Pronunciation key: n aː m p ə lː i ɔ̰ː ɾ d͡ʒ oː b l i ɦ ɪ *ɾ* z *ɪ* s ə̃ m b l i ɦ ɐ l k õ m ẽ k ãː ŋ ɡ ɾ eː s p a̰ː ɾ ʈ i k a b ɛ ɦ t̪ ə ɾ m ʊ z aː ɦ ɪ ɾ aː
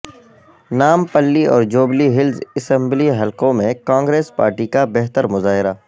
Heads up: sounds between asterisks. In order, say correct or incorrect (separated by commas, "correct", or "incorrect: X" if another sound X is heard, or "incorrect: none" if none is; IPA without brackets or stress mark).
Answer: incorrect: l, correct